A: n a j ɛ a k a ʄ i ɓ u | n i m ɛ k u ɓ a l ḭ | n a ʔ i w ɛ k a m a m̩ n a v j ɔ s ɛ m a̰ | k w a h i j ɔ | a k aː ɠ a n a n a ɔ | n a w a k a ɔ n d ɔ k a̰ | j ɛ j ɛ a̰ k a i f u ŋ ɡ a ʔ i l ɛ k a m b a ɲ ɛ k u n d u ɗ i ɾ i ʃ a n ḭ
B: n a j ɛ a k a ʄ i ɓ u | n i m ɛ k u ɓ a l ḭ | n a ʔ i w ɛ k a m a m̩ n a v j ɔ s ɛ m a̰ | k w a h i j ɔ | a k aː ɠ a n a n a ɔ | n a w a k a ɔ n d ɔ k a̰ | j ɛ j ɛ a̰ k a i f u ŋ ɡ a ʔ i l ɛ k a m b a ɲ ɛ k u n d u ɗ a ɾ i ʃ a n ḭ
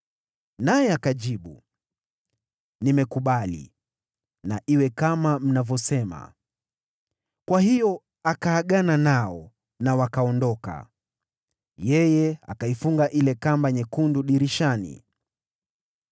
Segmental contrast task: A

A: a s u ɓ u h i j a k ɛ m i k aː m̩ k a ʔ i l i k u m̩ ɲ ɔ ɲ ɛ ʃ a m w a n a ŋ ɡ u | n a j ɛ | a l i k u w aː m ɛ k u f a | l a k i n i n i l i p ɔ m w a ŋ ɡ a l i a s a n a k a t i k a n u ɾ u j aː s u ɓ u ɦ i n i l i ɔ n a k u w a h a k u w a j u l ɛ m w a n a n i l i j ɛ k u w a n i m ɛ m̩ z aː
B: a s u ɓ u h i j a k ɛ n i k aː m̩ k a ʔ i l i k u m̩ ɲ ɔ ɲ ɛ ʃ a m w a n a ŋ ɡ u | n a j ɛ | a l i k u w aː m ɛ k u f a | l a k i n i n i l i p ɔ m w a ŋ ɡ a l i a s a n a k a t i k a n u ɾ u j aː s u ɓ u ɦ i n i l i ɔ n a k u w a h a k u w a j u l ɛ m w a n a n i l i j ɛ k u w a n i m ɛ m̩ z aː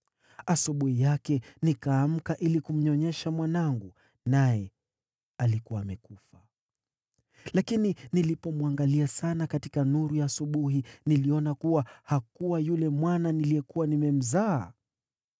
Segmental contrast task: B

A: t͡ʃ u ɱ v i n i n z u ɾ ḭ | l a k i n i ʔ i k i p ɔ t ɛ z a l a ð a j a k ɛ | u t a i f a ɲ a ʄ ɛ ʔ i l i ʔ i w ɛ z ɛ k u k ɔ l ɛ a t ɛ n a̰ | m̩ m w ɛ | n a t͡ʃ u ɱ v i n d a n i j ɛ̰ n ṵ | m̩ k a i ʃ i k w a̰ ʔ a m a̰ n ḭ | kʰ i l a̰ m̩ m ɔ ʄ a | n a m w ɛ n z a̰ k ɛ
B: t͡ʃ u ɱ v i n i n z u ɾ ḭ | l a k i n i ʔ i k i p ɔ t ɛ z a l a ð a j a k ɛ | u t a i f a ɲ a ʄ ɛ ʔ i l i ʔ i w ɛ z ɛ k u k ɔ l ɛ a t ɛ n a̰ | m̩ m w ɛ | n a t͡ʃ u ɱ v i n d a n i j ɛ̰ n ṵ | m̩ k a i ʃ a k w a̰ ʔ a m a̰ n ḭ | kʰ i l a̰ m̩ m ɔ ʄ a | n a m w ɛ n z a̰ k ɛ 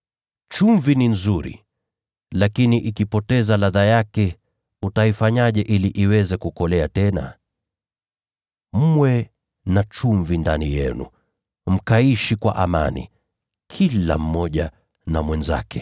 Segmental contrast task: A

